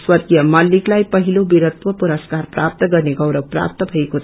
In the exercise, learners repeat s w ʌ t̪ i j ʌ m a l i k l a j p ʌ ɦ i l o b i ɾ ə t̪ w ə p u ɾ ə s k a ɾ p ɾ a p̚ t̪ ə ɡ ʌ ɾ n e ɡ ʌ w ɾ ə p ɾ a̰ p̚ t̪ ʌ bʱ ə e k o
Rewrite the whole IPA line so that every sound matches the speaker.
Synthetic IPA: s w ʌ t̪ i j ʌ m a l i k l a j p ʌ ɦ i l o b i ɾ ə t̪ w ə p u ɾ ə s k a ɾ p ɾ a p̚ t̪ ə ɡ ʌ ɾ n e ɡ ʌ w ɾ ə p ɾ a̰ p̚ t̪ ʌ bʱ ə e k o